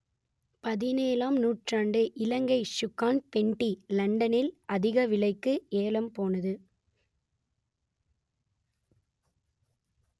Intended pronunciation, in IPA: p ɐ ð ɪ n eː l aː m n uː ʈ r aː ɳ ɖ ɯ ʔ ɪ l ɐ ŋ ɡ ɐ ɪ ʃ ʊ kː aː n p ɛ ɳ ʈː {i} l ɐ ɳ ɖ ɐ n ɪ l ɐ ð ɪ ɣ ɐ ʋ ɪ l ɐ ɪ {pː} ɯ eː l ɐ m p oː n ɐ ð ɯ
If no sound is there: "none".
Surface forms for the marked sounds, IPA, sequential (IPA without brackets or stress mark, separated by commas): i, kː